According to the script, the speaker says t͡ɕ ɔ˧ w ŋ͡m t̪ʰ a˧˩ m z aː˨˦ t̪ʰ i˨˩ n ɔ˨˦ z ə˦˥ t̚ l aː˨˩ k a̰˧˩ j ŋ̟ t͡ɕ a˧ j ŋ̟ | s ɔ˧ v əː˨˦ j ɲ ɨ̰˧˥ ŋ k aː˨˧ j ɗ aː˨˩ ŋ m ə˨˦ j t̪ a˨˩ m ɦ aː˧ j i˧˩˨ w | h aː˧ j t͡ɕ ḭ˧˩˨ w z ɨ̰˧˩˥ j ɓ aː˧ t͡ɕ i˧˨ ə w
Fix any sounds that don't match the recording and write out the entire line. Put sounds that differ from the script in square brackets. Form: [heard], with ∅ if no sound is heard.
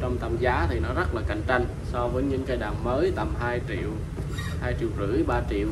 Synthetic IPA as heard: t͡ɕ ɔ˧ w ŋ͡m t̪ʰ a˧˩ m z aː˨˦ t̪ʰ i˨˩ n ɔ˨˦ z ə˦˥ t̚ l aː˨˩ k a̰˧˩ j ŋ̟ t͡ɕ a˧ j ŋ̟ | s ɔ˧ v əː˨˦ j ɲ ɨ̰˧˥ ŋ k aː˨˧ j ɗ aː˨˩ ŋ m [əː˨˦] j t̪ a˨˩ m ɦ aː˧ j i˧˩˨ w | h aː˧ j t͡ɕ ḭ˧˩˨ w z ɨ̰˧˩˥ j ɓ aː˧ t͡ɕ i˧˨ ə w